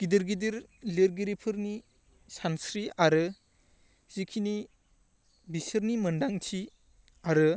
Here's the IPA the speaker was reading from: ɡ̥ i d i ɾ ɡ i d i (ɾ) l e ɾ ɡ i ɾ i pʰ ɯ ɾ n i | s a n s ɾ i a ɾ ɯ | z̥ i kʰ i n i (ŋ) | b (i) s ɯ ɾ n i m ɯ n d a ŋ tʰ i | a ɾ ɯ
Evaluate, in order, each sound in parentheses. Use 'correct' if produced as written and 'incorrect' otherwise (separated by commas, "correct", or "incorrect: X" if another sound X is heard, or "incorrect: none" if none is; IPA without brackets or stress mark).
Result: correct, incorrect: none, correct